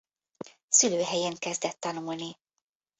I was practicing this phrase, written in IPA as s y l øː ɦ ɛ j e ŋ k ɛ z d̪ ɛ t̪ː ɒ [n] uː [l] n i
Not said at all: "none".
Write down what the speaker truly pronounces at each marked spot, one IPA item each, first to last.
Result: n, l

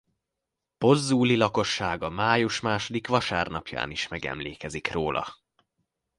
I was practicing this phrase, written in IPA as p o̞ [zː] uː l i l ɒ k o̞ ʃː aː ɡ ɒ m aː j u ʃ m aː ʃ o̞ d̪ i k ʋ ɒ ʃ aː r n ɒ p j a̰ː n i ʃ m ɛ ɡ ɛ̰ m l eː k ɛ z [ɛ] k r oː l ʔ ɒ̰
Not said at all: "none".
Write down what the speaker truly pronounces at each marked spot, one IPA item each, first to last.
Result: zː, i

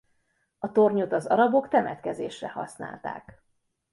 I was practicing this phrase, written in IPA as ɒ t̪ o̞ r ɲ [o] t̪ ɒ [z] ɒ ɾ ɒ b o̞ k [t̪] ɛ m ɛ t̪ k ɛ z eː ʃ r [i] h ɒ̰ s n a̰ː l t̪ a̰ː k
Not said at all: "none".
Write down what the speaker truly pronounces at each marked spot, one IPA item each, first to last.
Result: o, z, t̪, ɛ

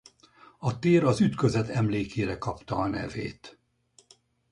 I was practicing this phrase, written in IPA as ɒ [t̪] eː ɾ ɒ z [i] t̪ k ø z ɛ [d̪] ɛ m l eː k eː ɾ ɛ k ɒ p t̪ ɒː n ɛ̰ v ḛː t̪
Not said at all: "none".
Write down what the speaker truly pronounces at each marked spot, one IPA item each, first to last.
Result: t̪, y, t̪

